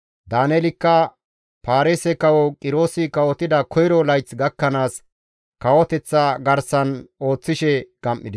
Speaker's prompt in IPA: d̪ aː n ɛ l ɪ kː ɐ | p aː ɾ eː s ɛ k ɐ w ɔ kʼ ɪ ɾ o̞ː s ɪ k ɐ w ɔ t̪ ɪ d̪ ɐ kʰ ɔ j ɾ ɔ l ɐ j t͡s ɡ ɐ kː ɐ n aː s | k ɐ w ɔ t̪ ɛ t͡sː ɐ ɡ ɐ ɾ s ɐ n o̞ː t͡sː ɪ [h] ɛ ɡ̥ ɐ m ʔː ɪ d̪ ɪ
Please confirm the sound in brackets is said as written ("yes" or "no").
no